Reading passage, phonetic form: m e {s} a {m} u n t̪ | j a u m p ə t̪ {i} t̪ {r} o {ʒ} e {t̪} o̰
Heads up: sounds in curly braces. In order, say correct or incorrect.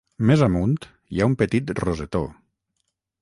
incorrect: z, correct, correct, correct, incorrect: z, correct

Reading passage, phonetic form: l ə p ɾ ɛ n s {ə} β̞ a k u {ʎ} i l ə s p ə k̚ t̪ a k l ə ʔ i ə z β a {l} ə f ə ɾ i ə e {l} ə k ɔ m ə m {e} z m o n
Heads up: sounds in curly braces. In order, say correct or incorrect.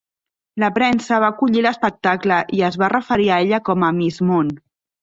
correct, correct, incorrect: r, incorrect: ʎ, incorrect: i

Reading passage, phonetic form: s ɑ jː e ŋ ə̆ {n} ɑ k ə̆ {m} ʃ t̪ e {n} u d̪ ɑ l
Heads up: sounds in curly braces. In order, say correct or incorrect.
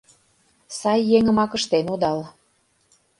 incorrect: m, incorrect: none, correct

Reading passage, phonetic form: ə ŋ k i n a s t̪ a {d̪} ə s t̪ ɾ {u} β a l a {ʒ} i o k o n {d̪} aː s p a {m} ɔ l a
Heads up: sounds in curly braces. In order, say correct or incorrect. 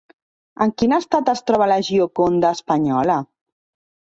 incorrect: t̪, incorrect: ɔ, correct, correct, incorrect: ɲ

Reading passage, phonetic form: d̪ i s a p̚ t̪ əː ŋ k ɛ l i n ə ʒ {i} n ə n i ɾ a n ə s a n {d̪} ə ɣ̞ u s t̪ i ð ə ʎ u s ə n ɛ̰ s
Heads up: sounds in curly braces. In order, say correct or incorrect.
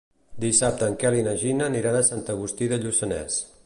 correct, incorrect: t̪

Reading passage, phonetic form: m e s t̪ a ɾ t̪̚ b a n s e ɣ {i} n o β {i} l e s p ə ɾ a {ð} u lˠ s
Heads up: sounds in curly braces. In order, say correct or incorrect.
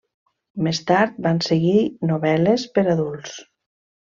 correct, incorrect: ɛ, correct

